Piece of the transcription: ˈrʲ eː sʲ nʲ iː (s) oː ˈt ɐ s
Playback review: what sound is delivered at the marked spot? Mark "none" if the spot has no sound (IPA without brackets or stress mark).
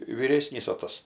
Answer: s